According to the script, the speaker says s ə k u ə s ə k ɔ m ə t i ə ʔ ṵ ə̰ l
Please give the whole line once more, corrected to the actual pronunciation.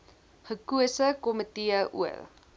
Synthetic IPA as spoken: χ ə k u ə s ə k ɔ m ə t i ə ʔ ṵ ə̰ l